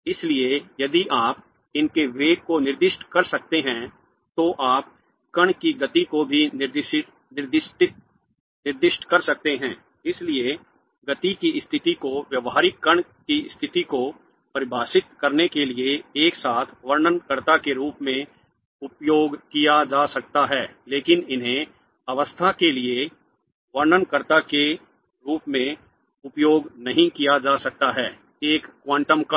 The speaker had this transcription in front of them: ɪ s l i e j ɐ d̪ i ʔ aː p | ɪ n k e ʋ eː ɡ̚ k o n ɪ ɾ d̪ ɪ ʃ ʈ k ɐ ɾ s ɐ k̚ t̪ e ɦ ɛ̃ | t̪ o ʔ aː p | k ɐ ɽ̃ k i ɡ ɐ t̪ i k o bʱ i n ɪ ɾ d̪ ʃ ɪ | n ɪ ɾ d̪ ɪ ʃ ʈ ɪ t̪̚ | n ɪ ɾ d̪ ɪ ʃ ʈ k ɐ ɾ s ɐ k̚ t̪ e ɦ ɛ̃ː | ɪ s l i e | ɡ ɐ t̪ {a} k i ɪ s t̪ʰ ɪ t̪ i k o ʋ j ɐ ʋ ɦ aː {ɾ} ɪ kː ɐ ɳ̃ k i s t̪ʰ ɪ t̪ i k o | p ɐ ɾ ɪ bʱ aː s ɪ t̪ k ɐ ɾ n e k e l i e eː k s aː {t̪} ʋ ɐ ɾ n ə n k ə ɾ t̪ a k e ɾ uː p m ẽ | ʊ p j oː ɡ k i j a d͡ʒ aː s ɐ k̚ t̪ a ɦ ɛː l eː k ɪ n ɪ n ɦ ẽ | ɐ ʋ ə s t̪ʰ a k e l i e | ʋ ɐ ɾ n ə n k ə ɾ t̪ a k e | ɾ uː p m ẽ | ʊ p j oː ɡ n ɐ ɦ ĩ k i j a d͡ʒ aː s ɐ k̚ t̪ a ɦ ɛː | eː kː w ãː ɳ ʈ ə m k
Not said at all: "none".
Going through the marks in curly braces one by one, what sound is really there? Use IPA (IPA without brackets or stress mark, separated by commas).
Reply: i, ɾ, t̪ʰ